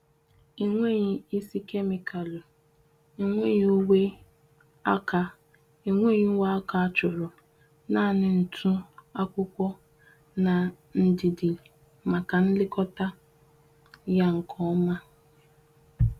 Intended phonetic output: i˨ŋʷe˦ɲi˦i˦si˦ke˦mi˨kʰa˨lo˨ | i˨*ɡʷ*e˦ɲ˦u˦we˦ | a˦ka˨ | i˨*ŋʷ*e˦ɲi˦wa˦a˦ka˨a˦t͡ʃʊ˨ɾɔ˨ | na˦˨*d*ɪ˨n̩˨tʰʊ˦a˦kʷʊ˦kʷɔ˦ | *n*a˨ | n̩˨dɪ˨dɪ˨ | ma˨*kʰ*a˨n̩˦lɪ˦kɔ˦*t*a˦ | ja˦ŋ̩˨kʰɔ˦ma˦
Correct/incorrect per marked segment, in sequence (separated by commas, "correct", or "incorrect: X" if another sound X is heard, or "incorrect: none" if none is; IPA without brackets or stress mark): incorrect: ŋʷ, correct, incorrect: n, correct, incorrect: k, correct